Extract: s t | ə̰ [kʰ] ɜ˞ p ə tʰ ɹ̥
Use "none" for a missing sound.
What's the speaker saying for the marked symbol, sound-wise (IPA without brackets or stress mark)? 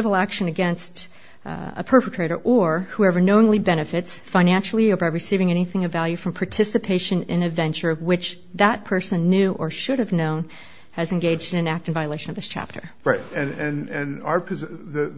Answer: pʰ